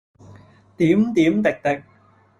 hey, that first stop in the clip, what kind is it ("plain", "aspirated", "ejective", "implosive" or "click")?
plain